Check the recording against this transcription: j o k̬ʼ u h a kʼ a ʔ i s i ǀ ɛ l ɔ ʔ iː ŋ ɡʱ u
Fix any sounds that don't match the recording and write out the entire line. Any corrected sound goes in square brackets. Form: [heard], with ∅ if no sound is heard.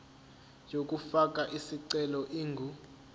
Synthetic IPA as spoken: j o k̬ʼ u [f] a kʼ a ʔ i s i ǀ ɛ l ɔ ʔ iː ŋ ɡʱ u

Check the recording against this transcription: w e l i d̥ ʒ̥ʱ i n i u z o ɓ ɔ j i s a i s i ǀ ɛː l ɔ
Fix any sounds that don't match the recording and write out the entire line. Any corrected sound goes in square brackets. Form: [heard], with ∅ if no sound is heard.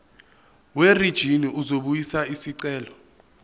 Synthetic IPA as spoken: w e [r] i d̥ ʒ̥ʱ i n i u z o ɓ [u] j i s a i s i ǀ ɛː l ɔ

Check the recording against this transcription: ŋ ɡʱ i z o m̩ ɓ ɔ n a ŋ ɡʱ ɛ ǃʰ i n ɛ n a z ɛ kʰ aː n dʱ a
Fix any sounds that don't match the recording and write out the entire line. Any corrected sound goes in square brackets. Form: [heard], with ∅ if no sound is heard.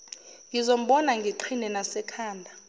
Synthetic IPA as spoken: ŋ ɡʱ i z o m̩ ɓ ɔ n a ŋ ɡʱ [i] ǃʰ i n ɛ n a [s] ɛ kʰ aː n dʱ a

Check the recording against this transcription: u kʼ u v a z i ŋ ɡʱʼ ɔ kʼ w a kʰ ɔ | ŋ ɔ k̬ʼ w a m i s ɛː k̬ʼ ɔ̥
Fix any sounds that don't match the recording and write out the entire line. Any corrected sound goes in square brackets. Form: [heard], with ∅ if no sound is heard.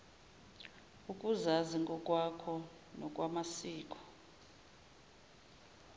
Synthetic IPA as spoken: u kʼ u [z] a z i ŋ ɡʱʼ ɔ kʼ w a kʰ ɔ | [n] ɔ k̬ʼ w a m [a] s [iː] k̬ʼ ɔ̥

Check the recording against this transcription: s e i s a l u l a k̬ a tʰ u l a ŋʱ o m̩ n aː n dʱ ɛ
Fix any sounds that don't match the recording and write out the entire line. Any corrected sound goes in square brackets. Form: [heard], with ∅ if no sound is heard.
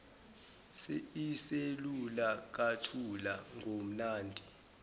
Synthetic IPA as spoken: s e i s [e] l u l a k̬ a tʰ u l a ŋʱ o m̩ n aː n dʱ [i]

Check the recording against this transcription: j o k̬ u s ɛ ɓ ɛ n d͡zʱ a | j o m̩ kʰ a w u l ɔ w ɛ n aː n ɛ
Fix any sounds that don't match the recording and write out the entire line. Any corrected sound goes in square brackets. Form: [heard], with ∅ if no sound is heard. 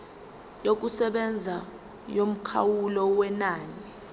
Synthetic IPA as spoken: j o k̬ u s ɛ ɓ ɛ n d͡zʱ a | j o m̩ kʰ a w u l ɔ w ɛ n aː n [i]

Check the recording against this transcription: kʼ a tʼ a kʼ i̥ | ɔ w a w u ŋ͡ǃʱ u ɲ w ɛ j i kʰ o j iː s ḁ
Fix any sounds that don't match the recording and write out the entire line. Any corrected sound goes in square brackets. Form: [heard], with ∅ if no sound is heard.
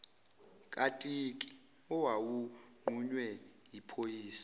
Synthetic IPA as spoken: kʼ a tʼ [i] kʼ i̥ | ɔ w a w u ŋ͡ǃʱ u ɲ w ɛ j i [pʰ] o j iː s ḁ

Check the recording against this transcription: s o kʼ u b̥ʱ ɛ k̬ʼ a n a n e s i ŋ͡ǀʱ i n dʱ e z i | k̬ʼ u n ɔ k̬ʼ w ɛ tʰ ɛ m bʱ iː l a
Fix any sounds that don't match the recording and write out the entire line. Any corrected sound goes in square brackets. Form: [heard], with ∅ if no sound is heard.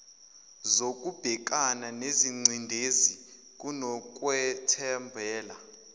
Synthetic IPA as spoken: [z] o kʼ u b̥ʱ ɛ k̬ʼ a n a n e [z] i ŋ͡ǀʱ i n dʱ e z i | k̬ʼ u n ɔ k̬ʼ w ɛ tʰ ɛ m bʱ [ɛː] l a

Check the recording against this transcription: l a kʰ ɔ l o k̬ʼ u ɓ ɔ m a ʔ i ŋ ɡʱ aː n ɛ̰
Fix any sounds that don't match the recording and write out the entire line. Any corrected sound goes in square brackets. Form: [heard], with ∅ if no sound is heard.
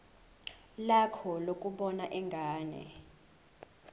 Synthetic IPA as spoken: l a kʰ ɔ l o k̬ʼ u ɓ ɔ [n] a ʔ [ɛ] ŋ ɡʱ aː n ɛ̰

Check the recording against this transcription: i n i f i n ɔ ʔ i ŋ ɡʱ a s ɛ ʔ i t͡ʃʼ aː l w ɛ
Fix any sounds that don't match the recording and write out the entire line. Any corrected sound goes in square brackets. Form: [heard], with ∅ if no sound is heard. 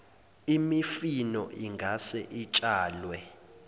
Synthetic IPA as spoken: i [m] i f i n ɔ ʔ i ŋ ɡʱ a s ɛ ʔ i t͡ʃʼ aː l w ɛ

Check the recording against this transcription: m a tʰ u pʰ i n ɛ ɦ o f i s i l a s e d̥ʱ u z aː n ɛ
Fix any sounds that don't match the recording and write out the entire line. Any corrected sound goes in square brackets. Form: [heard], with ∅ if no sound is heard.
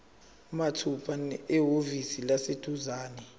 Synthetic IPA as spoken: m a tʰ u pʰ [a] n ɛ ɦ o [v] i s i l a s e d̥ʱ u z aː n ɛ

